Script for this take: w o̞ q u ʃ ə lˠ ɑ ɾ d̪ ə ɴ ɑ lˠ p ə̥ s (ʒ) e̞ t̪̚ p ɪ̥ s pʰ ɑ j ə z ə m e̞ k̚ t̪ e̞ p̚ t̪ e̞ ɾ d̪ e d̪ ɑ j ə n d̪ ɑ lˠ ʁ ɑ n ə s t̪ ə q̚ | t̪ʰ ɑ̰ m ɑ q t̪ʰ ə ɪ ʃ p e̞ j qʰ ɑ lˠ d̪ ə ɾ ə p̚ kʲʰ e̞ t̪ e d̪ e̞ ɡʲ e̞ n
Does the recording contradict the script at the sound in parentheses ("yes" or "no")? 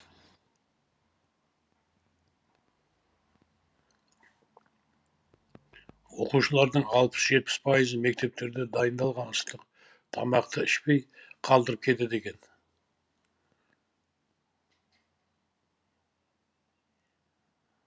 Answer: no